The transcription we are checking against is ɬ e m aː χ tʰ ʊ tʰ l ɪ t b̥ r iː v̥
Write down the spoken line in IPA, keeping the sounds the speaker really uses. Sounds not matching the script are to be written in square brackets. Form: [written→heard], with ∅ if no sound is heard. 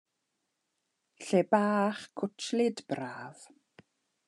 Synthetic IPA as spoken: ɬ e [m→b] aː χ [tʰ→kʰ] ʊ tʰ l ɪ [t→d] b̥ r [iː→aː] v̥